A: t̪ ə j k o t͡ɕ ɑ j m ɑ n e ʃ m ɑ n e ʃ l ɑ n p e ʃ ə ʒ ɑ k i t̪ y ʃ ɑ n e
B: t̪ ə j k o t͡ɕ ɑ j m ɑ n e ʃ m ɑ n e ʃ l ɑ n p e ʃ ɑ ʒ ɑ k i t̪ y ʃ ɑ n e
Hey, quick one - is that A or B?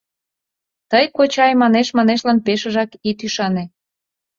A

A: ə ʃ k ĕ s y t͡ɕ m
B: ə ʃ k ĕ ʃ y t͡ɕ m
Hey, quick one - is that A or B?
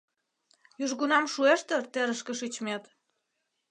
B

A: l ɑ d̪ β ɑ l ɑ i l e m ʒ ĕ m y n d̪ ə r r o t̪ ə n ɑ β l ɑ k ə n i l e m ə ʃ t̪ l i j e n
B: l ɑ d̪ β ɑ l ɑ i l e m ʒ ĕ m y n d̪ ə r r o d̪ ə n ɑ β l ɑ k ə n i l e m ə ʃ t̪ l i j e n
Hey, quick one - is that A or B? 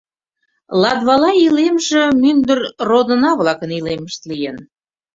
B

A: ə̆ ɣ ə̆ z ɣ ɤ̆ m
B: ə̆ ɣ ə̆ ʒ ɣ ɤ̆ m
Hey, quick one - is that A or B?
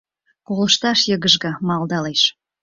B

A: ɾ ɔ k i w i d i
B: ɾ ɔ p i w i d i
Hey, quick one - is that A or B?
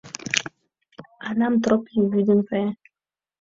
B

